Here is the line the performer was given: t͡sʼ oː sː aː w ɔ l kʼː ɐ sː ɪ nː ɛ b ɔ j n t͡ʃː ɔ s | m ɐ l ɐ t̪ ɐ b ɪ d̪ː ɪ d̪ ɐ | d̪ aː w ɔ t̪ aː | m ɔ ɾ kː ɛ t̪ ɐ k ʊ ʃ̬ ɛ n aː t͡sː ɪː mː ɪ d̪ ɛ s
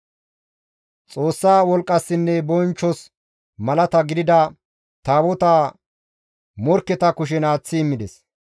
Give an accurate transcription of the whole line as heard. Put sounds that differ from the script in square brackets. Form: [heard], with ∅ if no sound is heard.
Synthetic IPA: t͡sʼ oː sː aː w ɔ l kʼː ɐ sː ɪ nː ɛ b ɔ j n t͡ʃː ɔ s | m ɐ l ɐ t̪ ɐ [ɡ] ɪ [d̪] ɪ d̪ ɐ | [t̪] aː w ɔ t̪ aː | m ɔ ɾ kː ɛ t̪ ɐ k ʊ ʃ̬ ɛ n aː t͡sː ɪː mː ɪ d̪ ɛ s